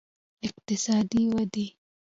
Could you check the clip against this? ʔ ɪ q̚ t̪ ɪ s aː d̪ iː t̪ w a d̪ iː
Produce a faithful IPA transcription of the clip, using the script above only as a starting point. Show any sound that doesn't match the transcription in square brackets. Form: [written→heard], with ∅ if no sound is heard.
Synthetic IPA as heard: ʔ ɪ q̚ t̪ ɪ s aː d̪ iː [t̪→∅] w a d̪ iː

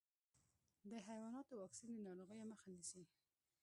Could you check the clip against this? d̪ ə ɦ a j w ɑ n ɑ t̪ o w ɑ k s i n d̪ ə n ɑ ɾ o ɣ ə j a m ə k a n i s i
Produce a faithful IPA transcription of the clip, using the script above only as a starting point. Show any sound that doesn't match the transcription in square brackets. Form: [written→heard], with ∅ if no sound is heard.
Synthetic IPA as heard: d̪ ə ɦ a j w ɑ n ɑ t̪ o w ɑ k s i n d̪ ə n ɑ ɾ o ɣ ə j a m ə [k→x] a n i s i

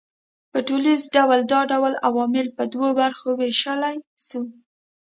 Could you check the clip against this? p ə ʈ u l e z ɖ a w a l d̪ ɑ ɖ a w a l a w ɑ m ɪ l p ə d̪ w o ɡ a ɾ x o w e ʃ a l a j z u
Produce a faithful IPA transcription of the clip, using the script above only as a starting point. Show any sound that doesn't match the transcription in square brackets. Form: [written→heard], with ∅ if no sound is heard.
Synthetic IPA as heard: p ə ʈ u l [e→i] z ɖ a w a l d̪ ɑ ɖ a w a l a w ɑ m ɪ l p ə d̪ w o [ɡ→b] a ɾ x o w e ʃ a l a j [z→s] u

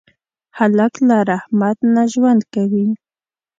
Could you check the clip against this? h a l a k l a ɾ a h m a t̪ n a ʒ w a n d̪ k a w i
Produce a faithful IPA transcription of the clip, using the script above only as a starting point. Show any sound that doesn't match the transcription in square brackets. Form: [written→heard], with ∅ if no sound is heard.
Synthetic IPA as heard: h a l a k l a ɾ a h m a t̪ n a ʒ w a n d̪ k a w i

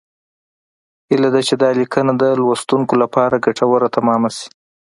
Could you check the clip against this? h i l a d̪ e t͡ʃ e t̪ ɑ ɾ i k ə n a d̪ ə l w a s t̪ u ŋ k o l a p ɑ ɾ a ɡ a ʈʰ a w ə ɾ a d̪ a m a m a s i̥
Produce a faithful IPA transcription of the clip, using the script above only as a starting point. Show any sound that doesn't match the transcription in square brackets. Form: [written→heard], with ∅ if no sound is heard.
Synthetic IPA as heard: h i l a d̪ [e→a] t͡ʃ e [t̪→d̪] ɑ [ɾ→l] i k ə n a d̪ ə l w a s t̪ u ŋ k o l a p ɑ ɾ a ɡ a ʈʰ a w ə ɾ a [d̪→t̪] a m [a→ɑ] m a s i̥

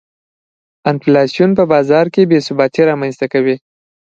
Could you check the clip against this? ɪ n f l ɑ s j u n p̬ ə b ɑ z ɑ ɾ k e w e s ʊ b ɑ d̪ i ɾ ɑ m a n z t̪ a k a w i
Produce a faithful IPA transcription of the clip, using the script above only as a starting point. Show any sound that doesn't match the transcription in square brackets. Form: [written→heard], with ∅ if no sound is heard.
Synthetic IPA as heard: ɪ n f l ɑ s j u n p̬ ə b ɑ z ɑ ɾ k e [w→b] e s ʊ b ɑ [d̪→t̪] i ɾ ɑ m a n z t̪ a k a w i

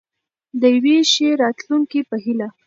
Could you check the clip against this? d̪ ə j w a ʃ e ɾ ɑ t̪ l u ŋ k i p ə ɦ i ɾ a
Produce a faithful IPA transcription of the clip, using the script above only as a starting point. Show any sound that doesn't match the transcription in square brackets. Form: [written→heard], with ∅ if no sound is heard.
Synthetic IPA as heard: d̪ ə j w [a→e] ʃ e ɾ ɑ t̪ l u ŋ k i p ə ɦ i [ɾ→l] a

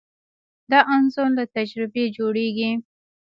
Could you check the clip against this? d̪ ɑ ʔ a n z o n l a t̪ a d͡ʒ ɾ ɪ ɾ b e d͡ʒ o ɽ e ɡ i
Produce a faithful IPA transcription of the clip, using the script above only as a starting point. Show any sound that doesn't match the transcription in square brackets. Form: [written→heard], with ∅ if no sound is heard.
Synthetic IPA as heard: d̪ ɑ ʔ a n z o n l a t̪ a d͡ʒ ɾ ɪ [ɾ→∅] b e d͡ʒ o ɽ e ɡ i

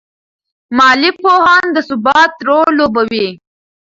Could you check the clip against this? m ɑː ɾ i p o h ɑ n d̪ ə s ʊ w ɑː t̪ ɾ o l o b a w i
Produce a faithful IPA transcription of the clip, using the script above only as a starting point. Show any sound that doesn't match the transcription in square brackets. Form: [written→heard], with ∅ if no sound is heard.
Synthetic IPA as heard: m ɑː [ɾ→l] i p o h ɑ n d̪ ə s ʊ [w→b] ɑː t̪ ɾ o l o b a w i

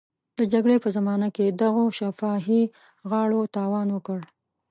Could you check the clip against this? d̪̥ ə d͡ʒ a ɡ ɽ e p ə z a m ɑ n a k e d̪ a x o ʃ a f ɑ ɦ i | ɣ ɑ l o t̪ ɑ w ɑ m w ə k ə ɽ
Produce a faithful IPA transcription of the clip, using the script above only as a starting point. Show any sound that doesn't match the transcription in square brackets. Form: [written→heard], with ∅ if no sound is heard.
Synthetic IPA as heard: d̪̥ ə d͡ʒ a ɡ ɽ e p ə z a m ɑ n a k e d̪ a [x→ɣ] o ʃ a f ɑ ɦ i | ɣ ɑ [l→ɽ] o t̪ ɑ w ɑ [m→n] w ə k ə ɽ

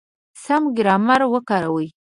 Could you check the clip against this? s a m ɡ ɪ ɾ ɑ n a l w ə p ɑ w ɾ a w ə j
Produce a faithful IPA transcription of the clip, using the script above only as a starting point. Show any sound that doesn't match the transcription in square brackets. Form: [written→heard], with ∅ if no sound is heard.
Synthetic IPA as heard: s a m ɡ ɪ ɾ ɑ [n→m] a [l→ɾ] w ə [p→k] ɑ [w→∅] ɾ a w ə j

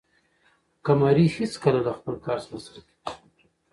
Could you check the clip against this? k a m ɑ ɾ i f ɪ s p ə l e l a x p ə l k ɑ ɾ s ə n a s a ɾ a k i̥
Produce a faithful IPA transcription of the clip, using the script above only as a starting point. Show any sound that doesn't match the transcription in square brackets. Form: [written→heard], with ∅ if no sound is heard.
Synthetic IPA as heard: k a m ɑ ɾ i [f→h] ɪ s [p→k] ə l [e→a] l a x p ə l k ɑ ɾ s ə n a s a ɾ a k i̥

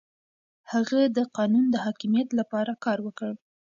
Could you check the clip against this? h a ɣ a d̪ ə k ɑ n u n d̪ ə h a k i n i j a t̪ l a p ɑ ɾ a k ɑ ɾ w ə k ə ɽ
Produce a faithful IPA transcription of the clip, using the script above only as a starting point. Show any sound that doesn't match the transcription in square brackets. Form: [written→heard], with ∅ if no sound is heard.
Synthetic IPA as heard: h a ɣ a d̪ ə [k→q] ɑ n u n d̪ ə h [a→ɑ] k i [n→m] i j a t̪ l a p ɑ ɾ a k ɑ ɾ w ə k ə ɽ

